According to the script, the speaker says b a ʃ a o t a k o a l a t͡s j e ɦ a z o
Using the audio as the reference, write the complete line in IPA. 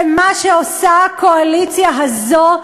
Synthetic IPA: m a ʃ e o s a k o a l i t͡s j a ɦ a z o